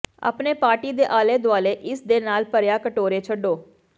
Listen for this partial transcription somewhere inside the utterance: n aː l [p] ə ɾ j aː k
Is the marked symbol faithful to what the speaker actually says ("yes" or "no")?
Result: yes